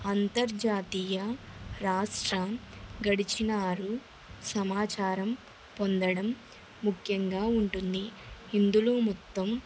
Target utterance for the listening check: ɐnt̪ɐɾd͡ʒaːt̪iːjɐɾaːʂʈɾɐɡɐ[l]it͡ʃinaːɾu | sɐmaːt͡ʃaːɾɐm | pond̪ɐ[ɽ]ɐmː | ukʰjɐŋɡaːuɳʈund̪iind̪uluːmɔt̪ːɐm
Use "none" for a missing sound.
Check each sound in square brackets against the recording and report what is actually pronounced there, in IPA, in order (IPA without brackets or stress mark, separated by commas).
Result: ɽ, ɽ